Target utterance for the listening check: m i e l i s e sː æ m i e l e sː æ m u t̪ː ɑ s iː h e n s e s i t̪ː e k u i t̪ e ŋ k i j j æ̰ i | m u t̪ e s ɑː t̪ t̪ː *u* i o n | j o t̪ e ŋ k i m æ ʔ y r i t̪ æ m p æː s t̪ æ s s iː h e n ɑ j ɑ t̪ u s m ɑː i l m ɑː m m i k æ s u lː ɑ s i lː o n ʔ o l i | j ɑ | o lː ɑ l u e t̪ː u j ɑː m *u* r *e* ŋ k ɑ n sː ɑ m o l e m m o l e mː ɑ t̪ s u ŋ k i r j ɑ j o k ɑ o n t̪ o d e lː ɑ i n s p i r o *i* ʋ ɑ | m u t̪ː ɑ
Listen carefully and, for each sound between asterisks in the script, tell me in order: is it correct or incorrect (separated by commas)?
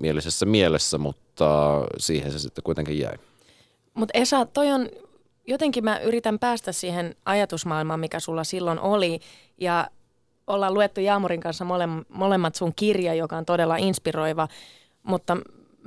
incorrect, correct, incorrect, correct